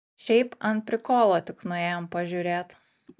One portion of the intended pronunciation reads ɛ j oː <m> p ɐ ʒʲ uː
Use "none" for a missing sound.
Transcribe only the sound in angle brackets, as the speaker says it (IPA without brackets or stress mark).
m